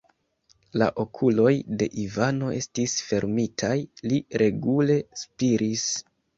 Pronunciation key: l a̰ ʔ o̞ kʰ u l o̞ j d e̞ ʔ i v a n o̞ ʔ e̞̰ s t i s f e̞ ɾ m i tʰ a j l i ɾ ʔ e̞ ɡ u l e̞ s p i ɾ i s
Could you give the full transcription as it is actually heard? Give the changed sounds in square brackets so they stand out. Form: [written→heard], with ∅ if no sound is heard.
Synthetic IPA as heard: l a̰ ʔ o̞ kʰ u l o̞ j d e̞ ʔ i v a n o̞ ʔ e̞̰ s t i s f e̞ ɾ m i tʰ a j l i ɾ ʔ e̞ ɡ u l e̞ s p i ɾ i s